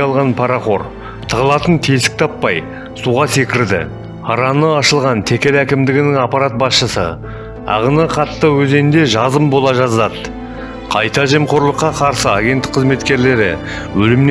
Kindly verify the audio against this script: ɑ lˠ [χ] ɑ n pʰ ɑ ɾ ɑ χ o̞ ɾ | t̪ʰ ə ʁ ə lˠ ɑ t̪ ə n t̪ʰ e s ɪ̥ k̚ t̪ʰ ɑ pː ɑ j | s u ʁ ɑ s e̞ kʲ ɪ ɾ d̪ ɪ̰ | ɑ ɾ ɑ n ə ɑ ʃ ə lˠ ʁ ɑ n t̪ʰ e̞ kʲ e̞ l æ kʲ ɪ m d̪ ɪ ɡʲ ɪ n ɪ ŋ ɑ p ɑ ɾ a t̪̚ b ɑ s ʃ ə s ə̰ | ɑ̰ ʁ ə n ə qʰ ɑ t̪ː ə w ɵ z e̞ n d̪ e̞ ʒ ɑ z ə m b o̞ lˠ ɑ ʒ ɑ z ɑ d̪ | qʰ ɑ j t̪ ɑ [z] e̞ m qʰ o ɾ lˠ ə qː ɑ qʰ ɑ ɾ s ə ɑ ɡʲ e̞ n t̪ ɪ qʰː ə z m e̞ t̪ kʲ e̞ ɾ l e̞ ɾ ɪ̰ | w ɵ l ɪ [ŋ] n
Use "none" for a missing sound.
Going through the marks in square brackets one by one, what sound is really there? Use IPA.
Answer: ʁ, ʒ, m

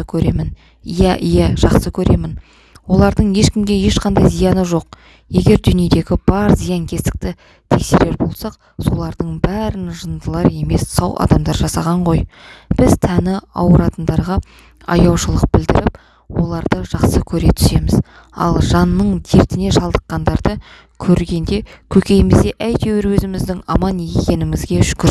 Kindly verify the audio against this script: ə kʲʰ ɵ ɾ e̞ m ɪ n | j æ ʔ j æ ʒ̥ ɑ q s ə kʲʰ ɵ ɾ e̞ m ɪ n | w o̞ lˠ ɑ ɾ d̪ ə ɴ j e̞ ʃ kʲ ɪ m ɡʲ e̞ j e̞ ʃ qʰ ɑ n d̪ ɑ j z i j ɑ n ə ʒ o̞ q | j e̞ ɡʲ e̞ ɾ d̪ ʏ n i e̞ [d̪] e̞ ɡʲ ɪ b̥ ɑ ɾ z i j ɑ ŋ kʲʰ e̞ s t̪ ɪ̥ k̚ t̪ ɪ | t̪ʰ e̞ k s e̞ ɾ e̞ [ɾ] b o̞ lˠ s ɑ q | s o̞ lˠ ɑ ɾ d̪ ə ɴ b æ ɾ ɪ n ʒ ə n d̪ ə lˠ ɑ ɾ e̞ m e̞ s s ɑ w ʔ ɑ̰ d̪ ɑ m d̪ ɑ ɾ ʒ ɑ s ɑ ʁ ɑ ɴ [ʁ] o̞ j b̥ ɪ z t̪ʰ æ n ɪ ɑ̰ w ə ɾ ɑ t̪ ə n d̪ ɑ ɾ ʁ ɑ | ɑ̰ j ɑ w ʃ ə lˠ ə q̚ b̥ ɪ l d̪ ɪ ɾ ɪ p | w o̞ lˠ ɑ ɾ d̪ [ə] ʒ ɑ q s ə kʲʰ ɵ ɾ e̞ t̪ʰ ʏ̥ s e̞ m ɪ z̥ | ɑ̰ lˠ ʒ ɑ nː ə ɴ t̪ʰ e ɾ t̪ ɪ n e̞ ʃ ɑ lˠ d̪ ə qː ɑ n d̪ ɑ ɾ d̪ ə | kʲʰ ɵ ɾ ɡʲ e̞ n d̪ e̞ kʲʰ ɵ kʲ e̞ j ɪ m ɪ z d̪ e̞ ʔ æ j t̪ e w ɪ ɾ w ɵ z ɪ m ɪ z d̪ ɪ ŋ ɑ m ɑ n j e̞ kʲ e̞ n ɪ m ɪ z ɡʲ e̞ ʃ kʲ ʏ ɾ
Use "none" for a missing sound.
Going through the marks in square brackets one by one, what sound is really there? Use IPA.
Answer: d̪, ɾ, ʁ, ə

